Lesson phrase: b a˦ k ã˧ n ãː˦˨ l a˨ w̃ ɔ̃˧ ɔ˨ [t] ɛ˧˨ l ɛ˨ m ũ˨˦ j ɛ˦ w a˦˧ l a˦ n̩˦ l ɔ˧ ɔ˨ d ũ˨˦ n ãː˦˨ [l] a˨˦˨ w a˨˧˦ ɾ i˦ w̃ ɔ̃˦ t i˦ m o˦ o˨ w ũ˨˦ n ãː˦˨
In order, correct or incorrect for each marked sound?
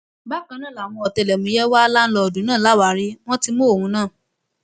correct, correct

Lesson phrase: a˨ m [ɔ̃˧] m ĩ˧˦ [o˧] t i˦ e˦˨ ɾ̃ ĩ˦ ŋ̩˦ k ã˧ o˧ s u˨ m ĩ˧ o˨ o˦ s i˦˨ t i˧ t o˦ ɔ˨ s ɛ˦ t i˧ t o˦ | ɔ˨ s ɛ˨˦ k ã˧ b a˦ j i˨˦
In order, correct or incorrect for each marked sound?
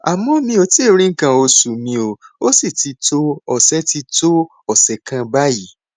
correct, correct

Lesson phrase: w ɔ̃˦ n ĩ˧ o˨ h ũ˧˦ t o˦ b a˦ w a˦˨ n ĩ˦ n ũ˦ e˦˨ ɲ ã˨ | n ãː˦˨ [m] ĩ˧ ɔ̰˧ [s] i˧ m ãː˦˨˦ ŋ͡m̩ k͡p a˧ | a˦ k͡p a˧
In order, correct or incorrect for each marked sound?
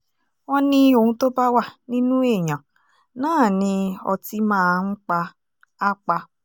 incorrect: n, incorrect: t

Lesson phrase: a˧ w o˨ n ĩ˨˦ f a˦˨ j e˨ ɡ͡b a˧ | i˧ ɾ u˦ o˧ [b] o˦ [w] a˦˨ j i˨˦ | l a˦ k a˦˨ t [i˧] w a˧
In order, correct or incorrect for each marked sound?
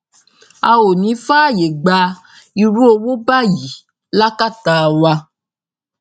incorrect: w, incorrect: b, incorrect: a˧

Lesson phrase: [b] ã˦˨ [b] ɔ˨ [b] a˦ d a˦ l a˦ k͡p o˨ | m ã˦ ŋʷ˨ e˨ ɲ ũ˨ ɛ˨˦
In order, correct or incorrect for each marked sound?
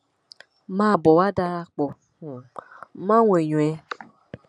incorrect: m, correct, incorrect: w

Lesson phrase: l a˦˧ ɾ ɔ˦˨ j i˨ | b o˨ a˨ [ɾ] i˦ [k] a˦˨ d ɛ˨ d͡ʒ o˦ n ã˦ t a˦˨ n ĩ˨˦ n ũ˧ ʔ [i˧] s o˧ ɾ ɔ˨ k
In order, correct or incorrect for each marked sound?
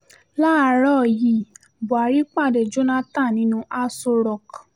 correct, incorrect: k͡p, incorrect: a˧

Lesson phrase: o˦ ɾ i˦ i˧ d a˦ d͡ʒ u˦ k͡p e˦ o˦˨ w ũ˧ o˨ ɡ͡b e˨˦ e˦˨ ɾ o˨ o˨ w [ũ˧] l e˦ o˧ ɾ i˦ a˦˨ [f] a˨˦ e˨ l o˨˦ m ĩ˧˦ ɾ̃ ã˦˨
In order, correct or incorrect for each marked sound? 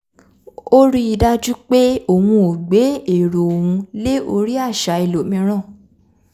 correct, incorrect: ʃ

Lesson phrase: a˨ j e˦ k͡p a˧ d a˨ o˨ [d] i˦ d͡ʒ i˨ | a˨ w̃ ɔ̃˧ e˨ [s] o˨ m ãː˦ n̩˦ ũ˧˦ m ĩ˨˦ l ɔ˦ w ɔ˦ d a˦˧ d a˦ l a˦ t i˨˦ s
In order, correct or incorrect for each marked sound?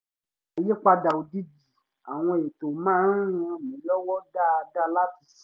correct, incorrect: t

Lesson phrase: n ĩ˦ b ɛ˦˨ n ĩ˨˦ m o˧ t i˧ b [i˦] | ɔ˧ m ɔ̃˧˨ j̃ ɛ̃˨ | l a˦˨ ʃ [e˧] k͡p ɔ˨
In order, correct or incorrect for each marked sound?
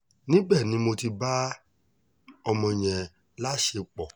incorrect: a˦, correct

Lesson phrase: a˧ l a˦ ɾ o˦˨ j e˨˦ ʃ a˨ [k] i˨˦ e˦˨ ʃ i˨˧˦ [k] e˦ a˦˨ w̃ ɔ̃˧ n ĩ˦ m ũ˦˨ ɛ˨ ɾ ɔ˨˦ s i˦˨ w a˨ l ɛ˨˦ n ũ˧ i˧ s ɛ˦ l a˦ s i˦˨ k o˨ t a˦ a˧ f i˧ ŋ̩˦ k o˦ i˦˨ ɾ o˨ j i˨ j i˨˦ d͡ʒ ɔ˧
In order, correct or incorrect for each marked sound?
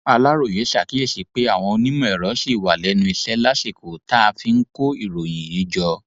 correct, incorrect: k͡p

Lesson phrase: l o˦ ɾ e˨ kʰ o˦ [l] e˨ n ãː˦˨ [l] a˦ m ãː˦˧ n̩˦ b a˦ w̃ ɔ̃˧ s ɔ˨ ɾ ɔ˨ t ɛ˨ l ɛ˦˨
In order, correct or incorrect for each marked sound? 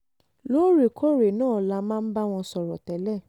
incorrect: ɾ, correct

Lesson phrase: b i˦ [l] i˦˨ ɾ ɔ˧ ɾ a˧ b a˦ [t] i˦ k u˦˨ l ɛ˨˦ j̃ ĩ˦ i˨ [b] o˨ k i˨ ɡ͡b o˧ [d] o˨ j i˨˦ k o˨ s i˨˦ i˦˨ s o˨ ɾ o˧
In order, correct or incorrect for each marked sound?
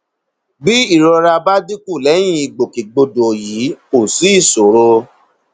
incorrect: none, incorrect: d, incorrect: ɡ͡b, correct

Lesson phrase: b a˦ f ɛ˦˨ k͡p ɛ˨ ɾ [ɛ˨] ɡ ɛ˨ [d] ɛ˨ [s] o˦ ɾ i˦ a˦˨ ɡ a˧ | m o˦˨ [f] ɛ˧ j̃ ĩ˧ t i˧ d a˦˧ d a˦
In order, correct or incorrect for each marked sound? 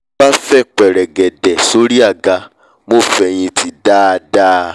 correct, correct, correct, correct

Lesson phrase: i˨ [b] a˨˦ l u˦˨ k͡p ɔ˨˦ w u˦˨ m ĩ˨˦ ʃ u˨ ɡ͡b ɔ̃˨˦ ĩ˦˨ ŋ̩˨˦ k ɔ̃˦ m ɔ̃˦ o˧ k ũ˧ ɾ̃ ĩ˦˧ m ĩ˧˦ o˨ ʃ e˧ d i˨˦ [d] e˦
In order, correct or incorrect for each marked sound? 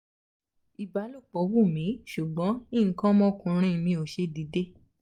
correct, correct

